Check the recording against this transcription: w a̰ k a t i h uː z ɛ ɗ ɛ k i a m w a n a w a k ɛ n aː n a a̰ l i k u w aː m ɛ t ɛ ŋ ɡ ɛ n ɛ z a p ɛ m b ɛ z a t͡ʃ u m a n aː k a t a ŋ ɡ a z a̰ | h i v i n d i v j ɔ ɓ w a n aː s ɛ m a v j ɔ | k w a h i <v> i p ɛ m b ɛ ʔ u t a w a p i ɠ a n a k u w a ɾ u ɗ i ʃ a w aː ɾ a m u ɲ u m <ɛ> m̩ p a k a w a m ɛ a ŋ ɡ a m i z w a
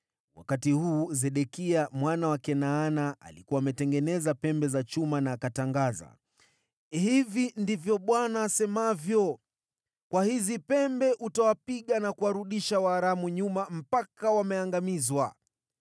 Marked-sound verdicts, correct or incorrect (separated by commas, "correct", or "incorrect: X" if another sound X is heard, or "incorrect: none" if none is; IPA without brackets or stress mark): incorrect: z, incorrect: a